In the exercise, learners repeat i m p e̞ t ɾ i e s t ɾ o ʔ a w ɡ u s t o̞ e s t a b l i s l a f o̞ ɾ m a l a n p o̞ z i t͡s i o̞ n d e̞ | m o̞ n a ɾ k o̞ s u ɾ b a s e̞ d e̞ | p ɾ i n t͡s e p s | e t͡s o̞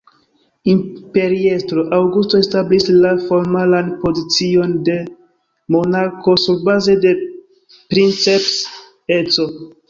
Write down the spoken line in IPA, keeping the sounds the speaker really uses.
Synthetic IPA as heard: i m p e̞ ɾ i e s t ɾ o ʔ a w ɡ u s t o̞ e s t a b l i s l a f o̞ ɾ m a l a n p o̞ z i t͡s i o̞ n d e̞ | m o̞ n a ɾ k o̞ s u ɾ b a z e̞ d e̞ | p ɾ i n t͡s e p s | e t͡s o̞